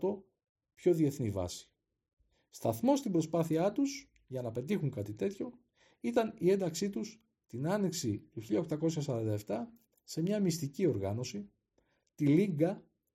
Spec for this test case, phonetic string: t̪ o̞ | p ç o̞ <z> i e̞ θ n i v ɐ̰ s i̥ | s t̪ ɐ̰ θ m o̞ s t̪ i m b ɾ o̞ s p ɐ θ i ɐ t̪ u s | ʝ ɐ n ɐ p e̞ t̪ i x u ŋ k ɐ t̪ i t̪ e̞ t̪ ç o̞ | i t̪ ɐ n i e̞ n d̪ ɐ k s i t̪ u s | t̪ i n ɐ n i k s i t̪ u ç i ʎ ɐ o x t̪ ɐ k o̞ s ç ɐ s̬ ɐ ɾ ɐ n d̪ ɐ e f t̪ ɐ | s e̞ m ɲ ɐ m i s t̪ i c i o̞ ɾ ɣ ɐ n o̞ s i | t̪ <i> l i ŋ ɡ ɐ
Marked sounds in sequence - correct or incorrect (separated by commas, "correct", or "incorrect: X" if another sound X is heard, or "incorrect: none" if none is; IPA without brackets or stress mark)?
incorrect: ð, correct